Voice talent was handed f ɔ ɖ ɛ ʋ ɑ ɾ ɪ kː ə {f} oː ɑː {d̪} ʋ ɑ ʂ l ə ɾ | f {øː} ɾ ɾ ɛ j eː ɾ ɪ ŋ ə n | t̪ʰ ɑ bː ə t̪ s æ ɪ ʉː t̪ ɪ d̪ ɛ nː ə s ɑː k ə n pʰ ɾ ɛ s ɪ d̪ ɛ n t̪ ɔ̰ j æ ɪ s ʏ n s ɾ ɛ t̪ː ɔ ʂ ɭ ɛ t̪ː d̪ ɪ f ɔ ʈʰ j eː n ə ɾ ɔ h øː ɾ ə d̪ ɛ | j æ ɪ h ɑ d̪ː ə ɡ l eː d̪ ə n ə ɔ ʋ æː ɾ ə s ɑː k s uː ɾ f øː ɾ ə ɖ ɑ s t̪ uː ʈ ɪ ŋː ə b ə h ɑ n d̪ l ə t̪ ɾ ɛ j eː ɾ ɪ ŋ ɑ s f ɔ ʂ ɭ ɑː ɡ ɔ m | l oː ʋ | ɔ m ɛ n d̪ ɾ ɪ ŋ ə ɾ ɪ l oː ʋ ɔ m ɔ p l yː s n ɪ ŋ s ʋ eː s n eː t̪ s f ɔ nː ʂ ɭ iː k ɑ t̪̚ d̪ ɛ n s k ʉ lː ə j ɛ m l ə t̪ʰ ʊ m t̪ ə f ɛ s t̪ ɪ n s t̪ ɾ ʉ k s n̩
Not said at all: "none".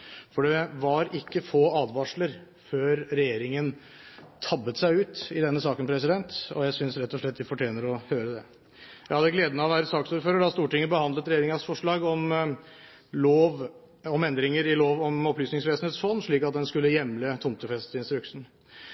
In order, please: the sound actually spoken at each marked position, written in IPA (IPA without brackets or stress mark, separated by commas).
f, d̪, øː